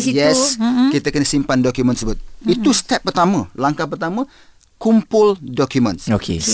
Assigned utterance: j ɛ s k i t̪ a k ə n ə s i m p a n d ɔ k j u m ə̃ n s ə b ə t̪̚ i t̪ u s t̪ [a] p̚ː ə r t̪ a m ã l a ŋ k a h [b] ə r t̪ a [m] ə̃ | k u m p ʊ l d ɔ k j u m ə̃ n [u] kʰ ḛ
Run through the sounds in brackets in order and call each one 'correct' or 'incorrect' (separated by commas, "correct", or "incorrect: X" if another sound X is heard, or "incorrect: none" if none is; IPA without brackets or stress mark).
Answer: incorrect: ɛ, incorrect: p, correct, incorrect: o